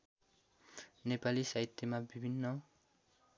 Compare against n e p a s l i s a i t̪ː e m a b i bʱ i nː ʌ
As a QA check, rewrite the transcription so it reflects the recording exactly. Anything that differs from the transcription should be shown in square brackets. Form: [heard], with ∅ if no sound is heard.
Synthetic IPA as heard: n e p a [∅] l i s a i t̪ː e m a b i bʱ i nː ʌ

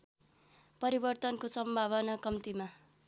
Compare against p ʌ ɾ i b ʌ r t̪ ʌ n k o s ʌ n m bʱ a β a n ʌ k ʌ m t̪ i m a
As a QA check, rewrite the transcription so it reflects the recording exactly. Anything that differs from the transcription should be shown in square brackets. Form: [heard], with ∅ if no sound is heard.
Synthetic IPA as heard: p ʌ ɾ i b ʌ r t̪ ʌ n k o s ʌ [∅] m bʱ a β [ʌ] n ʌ k ʌ m t̪ i m a

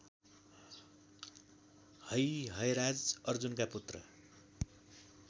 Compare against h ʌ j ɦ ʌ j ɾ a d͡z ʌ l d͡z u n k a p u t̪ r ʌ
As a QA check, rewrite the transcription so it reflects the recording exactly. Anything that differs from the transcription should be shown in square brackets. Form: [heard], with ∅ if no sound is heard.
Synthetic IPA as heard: h ʌ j ɦ ʌ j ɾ a d͡z ʌ [r] d͡z u n k a p u t̪ r ʌ

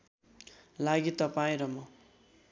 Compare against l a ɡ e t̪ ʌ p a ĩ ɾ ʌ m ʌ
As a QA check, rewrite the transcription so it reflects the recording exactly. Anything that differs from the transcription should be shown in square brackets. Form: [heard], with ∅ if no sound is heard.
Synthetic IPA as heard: l a ɡ [i] t̪ ʌ p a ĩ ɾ ʌ m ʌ

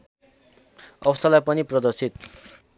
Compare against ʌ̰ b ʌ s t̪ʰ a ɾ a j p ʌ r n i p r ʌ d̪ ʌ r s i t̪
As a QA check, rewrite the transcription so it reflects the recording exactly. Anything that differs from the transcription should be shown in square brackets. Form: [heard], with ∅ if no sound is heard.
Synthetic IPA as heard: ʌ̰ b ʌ s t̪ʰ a [l] a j p ʌ [∅] n i p r ʌ d̪ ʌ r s i t̪

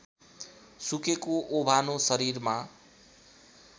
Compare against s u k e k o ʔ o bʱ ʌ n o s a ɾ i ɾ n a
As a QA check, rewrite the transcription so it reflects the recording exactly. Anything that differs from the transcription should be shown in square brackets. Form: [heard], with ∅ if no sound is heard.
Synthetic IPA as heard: s u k e k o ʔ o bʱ [a] n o s [ʌ] ɾ i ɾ [m] a

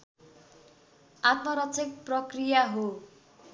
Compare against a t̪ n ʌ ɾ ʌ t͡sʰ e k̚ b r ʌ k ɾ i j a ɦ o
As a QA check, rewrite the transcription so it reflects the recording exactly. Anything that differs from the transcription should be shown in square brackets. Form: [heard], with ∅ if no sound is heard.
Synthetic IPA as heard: a t̪ [m] ʌ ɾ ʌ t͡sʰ e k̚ [p] r ʌ k [r] i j a ɦ o

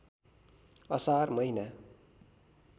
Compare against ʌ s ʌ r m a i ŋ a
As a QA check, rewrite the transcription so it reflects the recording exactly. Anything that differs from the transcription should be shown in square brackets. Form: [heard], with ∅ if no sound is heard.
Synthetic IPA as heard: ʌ s [a] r m [ʌ] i [n] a

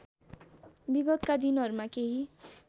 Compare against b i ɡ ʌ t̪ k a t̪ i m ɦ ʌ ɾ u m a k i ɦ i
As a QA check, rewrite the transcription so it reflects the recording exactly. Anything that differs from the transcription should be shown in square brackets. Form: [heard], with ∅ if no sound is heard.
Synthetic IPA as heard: b i ɡ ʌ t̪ k a [d̪] i [n] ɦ ʌ ɾ u m a k [e] ɦ i

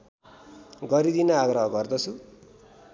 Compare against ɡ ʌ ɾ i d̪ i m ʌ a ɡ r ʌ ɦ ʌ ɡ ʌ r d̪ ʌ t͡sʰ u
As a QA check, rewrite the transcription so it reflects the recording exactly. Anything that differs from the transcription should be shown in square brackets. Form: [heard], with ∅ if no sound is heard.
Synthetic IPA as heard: ɡ ʌ ɾ i d̪ i [n] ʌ a ɡ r ʌ ɦ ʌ ɡ ʌ r d̪ ʌ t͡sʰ u

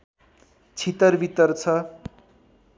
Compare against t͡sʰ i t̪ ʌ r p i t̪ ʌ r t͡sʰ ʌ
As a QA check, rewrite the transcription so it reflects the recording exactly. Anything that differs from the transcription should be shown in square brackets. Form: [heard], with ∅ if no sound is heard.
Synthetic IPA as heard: t͡sʰ i t̪ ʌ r [b] i t̪ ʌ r t͡sʰ ʌ

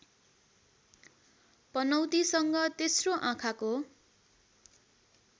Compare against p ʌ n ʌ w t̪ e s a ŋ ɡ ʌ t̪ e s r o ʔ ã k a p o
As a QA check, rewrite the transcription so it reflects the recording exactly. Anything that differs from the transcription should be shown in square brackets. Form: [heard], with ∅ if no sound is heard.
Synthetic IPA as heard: p ʌ n ʌ w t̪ [i] s [ʌ] ŋ ɡ ʌ t̪ e s r o ʔ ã [kʰ] a [k] o

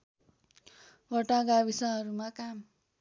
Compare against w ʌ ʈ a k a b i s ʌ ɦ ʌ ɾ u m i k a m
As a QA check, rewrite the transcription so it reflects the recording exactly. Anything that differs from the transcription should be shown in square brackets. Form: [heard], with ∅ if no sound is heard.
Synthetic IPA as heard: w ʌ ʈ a [ɡ] a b i s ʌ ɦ ʌ ɾ u m [a] k a m

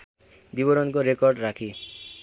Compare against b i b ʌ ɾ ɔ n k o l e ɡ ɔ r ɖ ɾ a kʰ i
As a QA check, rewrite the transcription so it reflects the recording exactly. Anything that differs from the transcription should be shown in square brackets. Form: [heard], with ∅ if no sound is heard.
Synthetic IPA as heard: b i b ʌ ɾ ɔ n k o [ɾ] e [k] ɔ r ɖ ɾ a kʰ i

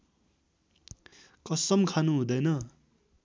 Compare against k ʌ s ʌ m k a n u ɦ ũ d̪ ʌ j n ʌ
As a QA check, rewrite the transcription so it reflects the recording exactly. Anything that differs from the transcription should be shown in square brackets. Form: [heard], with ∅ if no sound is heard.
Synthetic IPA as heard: k ʌ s ʌ m [kʰ] a n u ɦ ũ d̪ ʌ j n ʌ

